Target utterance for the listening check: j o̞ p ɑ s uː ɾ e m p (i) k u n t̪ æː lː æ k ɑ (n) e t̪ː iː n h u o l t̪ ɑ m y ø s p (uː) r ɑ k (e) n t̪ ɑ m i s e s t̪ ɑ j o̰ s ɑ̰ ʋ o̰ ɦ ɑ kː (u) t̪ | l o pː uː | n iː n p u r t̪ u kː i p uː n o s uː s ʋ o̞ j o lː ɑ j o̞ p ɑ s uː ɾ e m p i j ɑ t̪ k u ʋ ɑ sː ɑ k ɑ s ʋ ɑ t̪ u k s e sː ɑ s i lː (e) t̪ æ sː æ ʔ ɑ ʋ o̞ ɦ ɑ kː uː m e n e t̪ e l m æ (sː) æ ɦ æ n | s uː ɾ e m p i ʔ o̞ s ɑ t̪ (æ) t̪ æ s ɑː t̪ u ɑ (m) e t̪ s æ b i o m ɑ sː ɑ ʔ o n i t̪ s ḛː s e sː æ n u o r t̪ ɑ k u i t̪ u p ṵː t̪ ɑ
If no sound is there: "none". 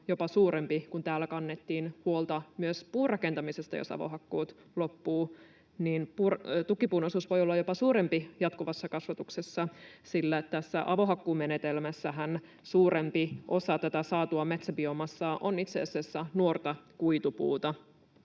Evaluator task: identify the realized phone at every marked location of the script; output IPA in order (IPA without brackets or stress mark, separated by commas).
i, nː, uː, e, uː, æ, sː, æ, m